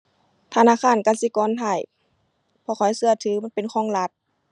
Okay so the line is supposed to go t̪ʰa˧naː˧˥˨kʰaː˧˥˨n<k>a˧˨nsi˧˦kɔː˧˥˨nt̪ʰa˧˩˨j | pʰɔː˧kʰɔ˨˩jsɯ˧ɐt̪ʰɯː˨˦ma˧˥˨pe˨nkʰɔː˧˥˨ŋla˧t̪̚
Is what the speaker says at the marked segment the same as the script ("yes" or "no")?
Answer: yes